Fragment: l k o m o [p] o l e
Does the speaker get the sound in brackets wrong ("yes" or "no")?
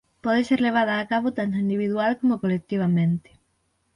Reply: yes